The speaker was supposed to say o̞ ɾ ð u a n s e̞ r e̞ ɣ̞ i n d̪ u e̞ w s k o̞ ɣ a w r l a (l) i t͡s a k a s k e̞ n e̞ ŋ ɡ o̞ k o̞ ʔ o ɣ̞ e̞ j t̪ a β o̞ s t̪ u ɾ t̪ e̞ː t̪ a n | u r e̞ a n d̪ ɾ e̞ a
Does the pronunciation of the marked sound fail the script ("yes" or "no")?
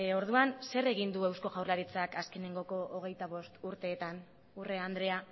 yes